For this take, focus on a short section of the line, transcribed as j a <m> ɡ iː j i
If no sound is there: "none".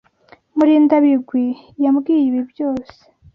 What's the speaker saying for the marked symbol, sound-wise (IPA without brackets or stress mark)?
m